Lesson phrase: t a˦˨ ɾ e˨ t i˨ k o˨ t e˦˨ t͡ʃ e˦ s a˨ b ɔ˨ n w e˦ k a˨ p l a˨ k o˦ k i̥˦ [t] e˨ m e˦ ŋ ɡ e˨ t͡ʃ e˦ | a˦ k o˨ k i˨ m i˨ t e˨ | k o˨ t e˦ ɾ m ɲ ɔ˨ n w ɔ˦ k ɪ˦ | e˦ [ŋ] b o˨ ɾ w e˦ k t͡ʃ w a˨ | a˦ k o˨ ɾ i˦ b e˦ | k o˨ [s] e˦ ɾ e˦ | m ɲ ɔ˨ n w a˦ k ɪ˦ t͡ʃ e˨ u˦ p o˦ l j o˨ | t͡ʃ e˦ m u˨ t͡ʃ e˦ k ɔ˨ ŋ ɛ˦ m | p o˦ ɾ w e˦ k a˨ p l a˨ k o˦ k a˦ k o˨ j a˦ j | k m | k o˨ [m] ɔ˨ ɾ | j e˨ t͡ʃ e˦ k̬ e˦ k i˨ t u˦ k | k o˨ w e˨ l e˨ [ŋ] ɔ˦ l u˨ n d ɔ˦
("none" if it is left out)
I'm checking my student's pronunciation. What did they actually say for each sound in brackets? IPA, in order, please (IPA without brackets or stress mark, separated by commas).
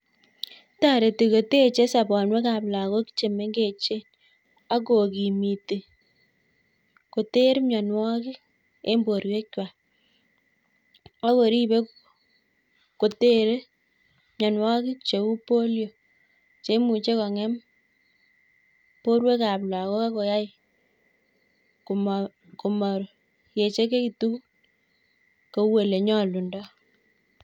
t͡ʃ, m, t, m, ɲ